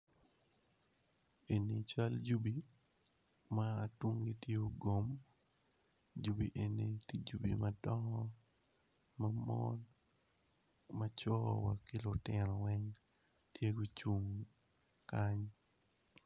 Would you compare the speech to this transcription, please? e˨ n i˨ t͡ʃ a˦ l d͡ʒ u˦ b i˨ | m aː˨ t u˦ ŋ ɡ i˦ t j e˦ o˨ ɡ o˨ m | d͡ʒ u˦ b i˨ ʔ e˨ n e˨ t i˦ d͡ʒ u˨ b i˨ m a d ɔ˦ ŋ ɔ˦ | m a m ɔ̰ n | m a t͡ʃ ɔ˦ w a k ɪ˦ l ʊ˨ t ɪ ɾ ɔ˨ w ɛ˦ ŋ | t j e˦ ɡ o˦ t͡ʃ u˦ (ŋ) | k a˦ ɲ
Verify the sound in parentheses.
correct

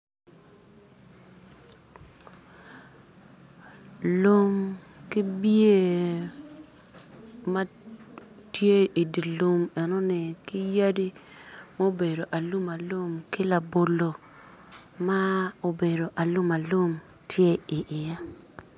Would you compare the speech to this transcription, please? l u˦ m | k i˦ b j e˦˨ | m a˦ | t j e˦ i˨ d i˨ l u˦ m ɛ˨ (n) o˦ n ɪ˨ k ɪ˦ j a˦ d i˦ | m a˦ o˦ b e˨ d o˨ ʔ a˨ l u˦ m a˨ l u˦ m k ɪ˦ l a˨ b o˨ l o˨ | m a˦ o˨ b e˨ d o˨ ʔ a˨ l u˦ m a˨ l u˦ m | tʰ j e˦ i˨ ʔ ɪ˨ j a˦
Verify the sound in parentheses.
correct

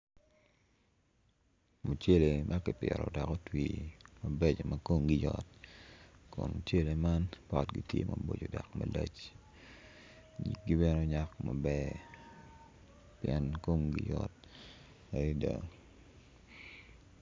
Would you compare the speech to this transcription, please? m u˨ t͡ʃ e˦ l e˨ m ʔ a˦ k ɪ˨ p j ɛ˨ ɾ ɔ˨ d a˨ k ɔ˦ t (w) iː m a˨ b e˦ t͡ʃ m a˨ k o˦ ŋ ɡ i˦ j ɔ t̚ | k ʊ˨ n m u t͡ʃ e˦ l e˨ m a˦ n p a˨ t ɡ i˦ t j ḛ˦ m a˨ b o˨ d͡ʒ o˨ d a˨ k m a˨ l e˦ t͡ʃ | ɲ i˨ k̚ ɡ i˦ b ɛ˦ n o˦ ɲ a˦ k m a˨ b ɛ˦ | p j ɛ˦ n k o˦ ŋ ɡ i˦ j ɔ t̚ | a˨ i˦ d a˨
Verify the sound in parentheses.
correct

